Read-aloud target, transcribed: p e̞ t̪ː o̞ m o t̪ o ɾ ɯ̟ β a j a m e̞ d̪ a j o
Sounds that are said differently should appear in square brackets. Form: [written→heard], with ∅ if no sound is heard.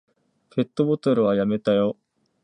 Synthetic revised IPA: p e̞ t̪ː o̞ [m→b] o t̪ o ɾ ɯ̟ β a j a m e̞ [d̪→t̪] a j o